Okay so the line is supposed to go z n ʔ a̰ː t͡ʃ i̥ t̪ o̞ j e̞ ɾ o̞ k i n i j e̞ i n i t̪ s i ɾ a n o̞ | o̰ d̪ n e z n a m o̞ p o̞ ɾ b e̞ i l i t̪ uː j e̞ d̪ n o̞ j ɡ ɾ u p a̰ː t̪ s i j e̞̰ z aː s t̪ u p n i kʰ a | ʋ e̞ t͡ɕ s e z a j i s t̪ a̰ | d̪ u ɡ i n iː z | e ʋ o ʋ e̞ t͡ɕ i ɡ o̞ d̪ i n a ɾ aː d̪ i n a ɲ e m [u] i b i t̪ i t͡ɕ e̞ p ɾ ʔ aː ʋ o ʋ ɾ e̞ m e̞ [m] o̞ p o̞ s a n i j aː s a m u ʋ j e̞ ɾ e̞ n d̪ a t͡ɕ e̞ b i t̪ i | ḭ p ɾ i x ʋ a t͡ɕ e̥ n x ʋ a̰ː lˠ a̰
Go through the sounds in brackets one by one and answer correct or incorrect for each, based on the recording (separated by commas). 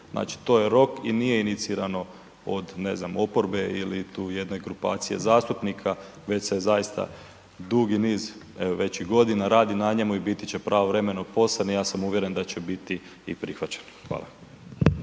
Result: correct, incorrect